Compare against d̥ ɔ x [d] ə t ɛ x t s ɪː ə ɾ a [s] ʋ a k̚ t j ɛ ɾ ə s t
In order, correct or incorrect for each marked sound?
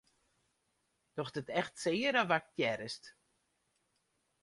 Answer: correct, incorrect: none

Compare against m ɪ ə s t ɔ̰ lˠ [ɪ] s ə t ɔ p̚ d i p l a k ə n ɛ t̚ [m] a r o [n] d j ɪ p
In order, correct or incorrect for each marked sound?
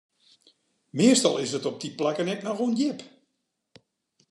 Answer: correct, incorrect: n, correct

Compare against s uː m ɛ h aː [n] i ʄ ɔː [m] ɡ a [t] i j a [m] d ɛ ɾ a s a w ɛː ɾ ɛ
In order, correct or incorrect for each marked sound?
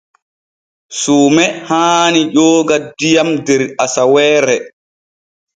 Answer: correct, incorrect: none, incorrect: d, correct

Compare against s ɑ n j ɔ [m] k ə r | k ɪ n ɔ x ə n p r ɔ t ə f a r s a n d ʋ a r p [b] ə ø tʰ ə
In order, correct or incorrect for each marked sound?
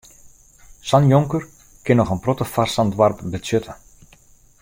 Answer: incorrect: ŋ, correct

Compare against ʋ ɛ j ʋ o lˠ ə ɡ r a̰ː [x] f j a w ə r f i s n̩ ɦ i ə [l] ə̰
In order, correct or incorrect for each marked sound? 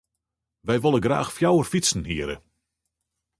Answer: correct, incorrect: ɾ

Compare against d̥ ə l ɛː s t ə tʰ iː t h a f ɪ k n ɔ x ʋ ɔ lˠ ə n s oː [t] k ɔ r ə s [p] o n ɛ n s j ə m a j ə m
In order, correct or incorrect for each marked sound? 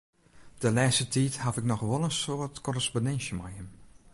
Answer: correct, correct

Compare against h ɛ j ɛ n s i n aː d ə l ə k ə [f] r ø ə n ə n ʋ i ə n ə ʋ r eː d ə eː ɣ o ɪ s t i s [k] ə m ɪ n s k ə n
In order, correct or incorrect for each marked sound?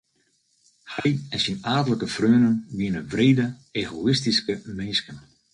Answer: correct, correct

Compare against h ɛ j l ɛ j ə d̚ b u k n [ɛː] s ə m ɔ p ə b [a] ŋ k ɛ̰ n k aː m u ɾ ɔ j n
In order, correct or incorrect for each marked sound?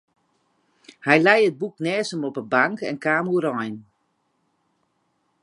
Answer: correct, correct

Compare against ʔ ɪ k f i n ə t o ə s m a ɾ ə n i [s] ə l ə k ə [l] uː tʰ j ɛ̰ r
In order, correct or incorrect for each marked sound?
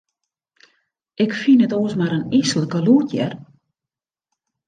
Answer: correct, correct

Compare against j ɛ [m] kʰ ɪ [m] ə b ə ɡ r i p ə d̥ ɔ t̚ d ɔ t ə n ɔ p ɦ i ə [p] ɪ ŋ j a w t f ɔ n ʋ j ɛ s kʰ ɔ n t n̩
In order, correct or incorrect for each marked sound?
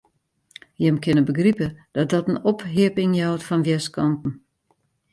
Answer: correct, incorrect: n, correct

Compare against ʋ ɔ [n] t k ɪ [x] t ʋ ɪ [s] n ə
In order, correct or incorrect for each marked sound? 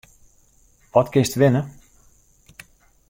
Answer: incorrect: none, incorrect: s, incorrect: none

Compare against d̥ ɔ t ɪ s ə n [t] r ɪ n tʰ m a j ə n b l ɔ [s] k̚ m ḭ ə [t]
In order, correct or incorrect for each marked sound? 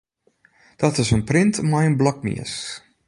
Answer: incorrect: p, incorrect: none, incorrect: s

